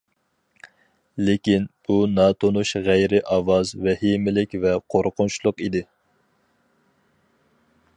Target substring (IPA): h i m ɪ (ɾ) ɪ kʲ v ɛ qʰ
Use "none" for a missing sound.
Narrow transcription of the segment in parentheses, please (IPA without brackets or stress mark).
l